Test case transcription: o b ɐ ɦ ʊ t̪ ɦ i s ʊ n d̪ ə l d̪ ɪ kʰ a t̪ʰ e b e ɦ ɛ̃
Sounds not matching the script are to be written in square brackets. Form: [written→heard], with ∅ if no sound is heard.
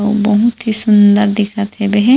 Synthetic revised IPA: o b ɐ ɦ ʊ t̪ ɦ i s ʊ n d̪ ə [l→ɾ] d̪ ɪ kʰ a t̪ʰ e b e ɦ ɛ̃